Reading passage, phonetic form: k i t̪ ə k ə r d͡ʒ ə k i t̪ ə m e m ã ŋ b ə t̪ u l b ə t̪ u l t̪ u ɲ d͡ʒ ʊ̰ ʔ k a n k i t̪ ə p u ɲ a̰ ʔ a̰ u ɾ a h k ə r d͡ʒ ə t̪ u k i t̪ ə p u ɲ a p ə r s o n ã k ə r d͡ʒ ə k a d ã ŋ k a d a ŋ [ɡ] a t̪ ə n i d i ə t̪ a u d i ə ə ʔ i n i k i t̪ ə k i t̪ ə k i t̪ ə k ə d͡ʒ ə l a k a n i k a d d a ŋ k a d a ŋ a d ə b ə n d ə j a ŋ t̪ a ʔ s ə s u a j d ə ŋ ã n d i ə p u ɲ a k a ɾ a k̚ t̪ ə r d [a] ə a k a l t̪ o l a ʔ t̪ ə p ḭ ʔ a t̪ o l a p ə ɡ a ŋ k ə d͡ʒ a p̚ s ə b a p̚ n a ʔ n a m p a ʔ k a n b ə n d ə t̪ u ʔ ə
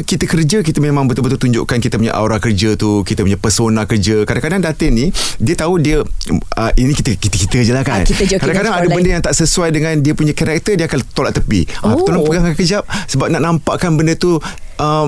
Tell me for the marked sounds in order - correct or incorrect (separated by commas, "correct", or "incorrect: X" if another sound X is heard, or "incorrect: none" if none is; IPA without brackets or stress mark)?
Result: incorrect: d, incorrect: i